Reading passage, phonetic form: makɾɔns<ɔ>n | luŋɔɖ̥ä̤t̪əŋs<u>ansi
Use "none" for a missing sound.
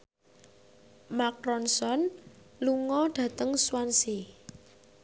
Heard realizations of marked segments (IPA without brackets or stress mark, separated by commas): ɔ, w